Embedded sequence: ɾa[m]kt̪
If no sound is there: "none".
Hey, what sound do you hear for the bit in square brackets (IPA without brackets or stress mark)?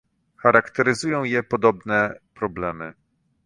none